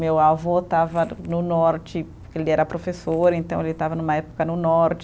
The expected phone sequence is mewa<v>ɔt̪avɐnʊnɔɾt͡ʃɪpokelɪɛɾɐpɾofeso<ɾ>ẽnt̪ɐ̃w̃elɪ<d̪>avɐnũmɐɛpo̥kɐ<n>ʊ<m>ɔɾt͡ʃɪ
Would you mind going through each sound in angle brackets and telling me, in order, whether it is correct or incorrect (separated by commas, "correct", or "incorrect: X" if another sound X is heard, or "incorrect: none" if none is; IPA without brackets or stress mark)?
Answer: correct, correct, incorrect: t̪, correct, incorrect: n